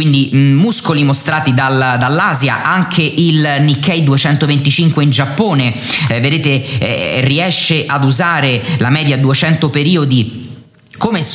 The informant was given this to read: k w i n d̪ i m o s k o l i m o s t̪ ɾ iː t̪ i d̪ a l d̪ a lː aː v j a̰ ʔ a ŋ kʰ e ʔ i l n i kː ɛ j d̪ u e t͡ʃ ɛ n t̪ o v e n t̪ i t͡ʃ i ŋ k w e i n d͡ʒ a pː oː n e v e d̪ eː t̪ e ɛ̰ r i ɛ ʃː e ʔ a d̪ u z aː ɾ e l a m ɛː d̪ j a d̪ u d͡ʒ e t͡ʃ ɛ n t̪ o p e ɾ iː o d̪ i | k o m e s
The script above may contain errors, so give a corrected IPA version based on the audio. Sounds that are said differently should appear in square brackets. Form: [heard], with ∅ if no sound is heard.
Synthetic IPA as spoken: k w i n d̪ i m [u] s k o l i m o s t̪ ɾ [aː] t̪ i d̪ a l d̪ a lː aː [z] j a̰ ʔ a ŋ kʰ e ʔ i l n i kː ɛ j d̪ u e t͡ʃ ɛ n t̪ o v e n t̪ i t͡ʃ i ŋ k w e i n d͡ʒ a pː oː n e v e d̪ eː t̪ e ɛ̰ r i ɛ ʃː e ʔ a d̪ u z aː ɾ e l a m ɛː d̪ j a d̪ u [∅] e t͡ʃ ɛ n t̪ o p e ɾ iː o d̪ i | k o m e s